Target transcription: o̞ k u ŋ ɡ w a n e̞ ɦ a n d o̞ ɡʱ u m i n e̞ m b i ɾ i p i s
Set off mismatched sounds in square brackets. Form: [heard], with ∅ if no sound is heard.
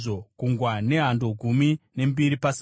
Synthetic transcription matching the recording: o̞ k u ŋ ɡ w a n e̞ ɦ a n d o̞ ɡʱ u m i n e̞ m b i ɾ i p [a] s

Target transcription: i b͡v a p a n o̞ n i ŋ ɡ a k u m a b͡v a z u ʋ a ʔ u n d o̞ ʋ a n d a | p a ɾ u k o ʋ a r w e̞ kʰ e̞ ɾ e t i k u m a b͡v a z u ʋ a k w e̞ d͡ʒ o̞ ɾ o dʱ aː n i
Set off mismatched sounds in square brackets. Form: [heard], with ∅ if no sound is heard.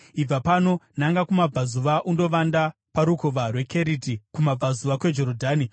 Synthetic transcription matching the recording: i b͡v a p a n o̞ n [a] ŋ ɡ a k u m a b͡v a z u ʋ a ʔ u n d o̞ ʋ a n d a | p a ɾ u k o ʋ a r w e̞ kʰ e̞ ɾ [i] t i k u m a b͡v a z u ʋ a k w e̞ d͡ʒ o̞ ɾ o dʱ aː n i

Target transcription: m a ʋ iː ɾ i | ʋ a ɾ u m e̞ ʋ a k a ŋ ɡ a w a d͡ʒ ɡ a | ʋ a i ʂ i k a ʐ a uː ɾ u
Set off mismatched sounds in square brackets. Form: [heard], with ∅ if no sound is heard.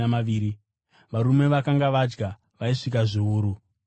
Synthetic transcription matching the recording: m a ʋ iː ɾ i | ʋ a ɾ u m e̞ ʋ a k a ŋ ɡ a [ʋ] a d͡ʒ ɡ a | ʋ a i ʂ i k a ʐ [i] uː ɾ u

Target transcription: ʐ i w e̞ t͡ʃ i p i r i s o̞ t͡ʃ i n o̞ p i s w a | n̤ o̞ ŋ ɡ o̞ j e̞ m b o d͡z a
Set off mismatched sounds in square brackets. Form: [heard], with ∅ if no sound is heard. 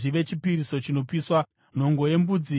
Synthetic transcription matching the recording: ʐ i [ʋ] e̞ t͡ʃ i p i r i s o̞ t͡ʃ i n o̞ p i s w a | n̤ o̞ ŋ ɡ o̞ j e̞ m b [u] d͡z [i]

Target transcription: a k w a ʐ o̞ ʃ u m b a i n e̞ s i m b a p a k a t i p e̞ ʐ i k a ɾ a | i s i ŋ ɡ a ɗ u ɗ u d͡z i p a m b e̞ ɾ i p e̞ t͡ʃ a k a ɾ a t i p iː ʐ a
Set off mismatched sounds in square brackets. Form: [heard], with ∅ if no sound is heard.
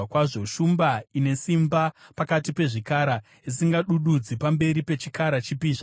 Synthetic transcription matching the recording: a k w a ʐ o̞ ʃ u m b a i n e̞ s i m b a p a k a t i p e̞ ʐ i k a ɾ a | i s i ŋ ɡ a ɗ u ɗ u d͡z i p a m b e̞ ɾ i p e̞ t͡ʃ [i] k a ɾ a [t͡ʃ] i p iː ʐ a

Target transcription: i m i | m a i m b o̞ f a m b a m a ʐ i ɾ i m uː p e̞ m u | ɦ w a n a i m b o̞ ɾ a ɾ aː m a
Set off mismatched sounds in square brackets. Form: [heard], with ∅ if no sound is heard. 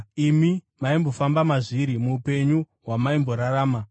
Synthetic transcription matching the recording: i m i | m a i m b o̞ f a m b a m a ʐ i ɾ i m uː p e̞ [ɲ] u | ɦ w a [m] a i m b o̞ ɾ a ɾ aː m a

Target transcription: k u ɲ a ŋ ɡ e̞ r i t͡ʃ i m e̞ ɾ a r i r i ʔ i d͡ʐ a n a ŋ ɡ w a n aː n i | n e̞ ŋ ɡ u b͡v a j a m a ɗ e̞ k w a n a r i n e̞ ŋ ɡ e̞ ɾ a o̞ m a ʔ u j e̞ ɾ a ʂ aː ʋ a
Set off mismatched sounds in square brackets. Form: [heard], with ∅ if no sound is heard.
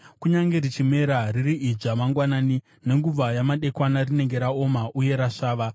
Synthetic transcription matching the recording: k u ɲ a ŋ ɡ e̞ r i t͡ʃ i m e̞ ɾ a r i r i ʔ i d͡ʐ a [m] a ŋ ɡ w a n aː n i | n e̞ ŋ ɡ u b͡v a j a m a ɗ e̞ k w a n a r i n e̞ ŋ ɡ e̞ ɾ a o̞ m a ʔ u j e̞ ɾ a ʂ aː ʋ a

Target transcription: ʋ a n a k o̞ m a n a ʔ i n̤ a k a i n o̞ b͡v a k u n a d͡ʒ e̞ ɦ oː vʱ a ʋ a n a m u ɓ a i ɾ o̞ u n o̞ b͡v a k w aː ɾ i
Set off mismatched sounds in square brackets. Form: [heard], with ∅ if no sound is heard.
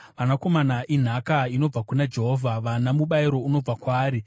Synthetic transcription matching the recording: ʋ a n a k o̞ m a n a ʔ i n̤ a k a i n o̞ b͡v a k u n a d͡ʒ e̞ ɦ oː vʱ a ʋ a n a m u ɓ a i ɾ o̞ u n o̞ b͡v a k w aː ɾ i

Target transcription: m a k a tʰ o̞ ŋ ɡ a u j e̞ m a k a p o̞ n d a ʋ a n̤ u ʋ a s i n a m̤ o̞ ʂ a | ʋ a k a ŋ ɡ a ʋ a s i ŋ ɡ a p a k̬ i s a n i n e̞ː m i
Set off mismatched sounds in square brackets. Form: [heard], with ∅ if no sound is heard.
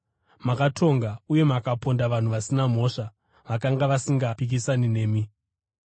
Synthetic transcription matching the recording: m a k a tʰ o̞ ŋ ɡ a u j e̞ m a k a p o̞ n d a ʋ a n̤ u ʋ a s i n a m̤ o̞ ʂ a | ʋ a k a ŋ ɡ a ʋ a s i ŋ ɡ a p [i] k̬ i s a n i n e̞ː m i

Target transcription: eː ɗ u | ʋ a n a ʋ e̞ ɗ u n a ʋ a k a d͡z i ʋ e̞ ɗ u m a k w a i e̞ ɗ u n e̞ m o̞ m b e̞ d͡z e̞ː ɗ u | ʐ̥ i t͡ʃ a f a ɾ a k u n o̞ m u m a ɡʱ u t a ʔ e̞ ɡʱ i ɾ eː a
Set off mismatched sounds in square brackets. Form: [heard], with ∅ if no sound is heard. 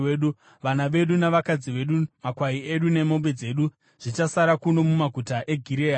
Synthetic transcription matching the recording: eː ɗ u | ʋ a n a ʋ e̞ ɗ u n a ʋ a k a d͡z i ʋ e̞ ɗ u m a k w a i e̞ ɗ u n e̞ m o̞ m b e̞ d͡z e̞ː ɗ u | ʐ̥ i t͡ʃ a [s] a ɾ a k u n o̞ m u m a ɡʱ u t a ʔ e̞ ɡʱ i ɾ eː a

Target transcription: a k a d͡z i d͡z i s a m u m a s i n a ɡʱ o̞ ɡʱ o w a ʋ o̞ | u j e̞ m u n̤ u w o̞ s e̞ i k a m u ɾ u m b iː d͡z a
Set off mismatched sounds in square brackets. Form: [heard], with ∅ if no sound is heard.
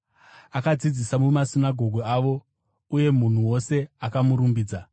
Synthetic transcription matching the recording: a k a d͡z i d͡z i s a m u m a s i n a ɡʱ o̞ ɡʱ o [∅] a ʋ o̞ | u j e̞ m u n̤ u w o̞ s e̞ [a] k a m u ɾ u m b iː d͡z a

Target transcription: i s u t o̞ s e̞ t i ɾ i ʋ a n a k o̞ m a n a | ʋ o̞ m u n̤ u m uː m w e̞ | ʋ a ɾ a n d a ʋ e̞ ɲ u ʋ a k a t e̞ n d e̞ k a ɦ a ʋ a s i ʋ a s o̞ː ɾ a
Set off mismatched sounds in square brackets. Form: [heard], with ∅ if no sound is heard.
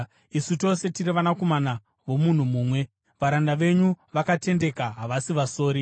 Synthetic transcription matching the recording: i s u t o̞ s e̞ t i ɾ i ʋ a n a k o̞ m a n a | ʋ o̞ m u n̤ u m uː m w e̞ | ʋ a ɾ a n d a ʋ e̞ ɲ u ʋ a k a t e̞ n d e̞ k a ɦ a ʋ a s i ʋ a s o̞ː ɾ [i]

